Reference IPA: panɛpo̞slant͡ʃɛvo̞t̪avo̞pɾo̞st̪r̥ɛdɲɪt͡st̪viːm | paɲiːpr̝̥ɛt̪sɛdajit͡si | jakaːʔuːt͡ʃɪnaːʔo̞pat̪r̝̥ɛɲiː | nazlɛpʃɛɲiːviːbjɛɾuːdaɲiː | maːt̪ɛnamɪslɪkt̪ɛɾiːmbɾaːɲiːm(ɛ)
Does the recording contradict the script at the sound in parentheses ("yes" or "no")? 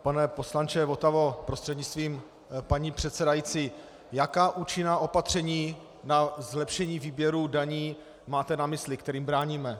no